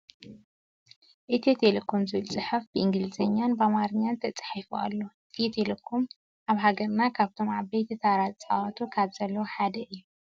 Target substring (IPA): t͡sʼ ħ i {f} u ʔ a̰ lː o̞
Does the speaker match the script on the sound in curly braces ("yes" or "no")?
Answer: yes